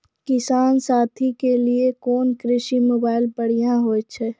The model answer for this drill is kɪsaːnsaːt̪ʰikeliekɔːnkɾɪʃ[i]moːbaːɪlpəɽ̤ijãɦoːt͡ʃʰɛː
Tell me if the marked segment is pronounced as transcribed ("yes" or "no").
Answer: yes